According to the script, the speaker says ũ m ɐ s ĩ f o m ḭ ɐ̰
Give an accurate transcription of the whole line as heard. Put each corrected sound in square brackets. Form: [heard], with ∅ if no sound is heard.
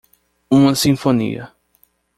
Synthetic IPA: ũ m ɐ s ĩ f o [n] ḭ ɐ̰